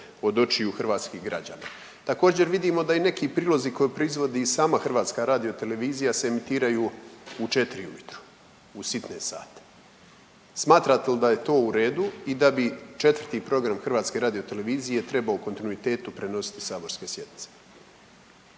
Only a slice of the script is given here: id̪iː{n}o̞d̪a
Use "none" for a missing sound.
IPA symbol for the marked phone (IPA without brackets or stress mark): m